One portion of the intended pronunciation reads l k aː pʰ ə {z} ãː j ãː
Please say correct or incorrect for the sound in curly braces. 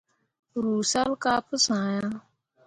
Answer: incorrect